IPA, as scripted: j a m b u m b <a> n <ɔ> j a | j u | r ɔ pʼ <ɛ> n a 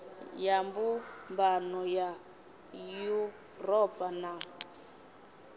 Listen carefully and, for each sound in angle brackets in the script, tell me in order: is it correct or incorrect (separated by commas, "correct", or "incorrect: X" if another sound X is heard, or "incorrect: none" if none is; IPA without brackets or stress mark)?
correct, correct, incorrect: a